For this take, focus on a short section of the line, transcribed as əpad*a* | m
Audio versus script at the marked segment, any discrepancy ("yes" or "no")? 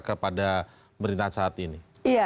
no